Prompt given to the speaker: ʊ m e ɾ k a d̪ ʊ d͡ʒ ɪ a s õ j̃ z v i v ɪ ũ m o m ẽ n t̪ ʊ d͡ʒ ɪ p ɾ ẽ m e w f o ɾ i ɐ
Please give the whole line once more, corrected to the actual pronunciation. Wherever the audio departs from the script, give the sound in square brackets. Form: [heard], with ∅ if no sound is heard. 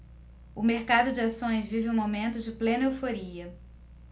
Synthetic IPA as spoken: ʊ m e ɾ k a d̪ ʊ d͡ʒ ɪ a s õ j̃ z v i v ɪ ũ m o m ẽ n t̪ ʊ d͡ʒ ɪ p [l] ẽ [n] e w f o ɾ i ɐ